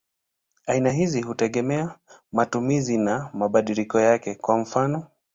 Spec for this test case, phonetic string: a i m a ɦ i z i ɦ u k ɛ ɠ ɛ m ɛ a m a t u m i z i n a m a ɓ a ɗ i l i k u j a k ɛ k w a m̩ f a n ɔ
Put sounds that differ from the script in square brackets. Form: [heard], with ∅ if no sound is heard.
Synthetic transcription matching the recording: a i [n] a ɦ i z i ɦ u [t] ɛ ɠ ɛ m ɛ a m a t u m i z i n a m a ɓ a ɗ i l i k [ɔ] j a k ɛ k w a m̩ f a n ɔ